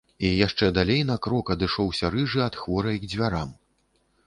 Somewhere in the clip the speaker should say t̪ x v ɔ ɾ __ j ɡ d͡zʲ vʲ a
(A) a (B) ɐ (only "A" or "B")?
B